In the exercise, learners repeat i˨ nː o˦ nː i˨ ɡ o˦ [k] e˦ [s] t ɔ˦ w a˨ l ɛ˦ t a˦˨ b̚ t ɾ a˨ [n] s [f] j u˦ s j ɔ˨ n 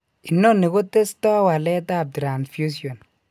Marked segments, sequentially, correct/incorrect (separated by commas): incorrect, correct, correct, correct